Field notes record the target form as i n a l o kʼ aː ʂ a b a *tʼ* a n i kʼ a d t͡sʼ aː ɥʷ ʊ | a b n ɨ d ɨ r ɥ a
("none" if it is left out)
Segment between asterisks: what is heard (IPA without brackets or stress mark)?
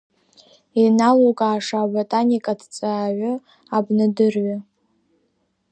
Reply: tʼ